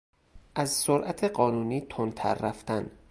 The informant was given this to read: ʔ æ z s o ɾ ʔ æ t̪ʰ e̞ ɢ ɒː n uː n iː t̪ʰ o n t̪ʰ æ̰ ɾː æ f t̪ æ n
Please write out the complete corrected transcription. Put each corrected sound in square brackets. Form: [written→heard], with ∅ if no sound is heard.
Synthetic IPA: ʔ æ z s o ɾ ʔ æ t̪ʰ e̞ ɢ ɒː n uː n iː t̪ʰ o n t̪ʰ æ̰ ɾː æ f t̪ æ n

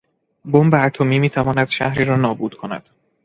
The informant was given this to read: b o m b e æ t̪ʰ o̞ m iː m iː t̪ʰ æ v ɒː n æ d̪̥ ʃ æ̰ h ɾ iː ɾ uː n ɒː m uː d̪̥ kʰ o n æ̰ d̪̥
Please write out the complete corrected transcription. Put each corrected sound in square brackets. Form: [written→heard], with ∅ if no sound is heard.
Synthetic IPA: b o m b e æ t̪ʰ o̞ m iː m iː t̪ʰ æ v ɒː n æ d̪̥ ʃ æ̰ h ɾ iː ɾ [uː→ɒː] n ɒː [m→b] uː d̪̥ kʰ o n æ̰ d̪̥

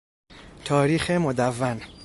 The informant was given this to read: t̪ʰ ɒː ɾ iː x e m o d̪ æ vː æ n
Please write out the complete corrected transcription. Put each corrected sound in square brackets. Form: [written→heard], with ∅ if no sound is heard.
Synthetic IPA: t̪ʰ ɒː ɾ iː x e m o d̪ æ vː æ n

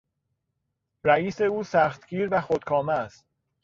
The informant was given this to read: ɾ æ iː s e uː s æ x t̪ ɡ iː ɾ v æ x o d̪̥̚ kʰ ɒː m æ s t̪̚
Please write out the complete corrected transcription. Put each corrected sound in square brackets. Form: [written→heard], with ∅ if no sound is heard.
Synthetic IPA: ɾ æ iː s e uː s æ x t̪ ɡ iː ɾ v æ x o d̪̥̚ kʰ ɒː m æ s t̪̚

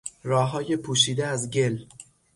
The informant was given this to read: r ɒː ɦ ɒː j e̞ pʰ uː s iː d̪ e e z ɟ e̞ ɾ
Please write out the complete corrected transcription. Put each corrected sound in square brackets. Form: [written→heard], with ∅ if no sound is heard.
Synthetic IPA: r ɒː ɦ ɒː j e̞ pʰ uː [s→ʃ] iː d̪ e [e→æ] z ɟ e̞ [ɾ→l]

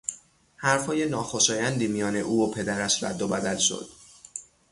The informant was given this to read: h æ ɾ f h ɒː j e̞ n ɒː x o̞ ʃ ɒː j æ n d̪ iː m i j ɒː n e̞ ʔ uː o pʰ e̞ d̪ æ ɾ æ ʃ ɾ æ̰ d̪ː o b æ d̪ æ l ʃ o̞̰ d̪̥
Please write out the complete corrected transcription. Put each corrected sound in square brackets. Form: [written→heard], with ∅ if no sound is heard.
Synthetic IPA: h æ ɾ f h ɒː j e̞ n ɒː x o̞ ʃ ɒː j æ n d̪ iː m i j ɒː n e̞ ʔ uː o pʰ e̞ d̪ æ ɾ æ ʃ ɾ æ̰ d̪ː o b æ d̪ æ l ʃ o̞̰ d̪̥

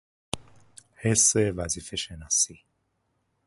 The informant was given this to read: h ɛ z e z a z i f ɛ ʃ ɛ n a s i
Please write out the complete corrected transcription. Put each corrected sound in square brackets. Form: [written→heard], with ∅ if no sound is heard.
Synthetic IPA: h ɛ [z→s] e [z→v] a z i f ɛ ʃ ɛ n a s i

